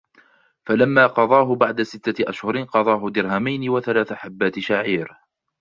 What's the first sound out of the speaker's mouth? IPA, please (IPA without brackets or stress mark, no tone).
f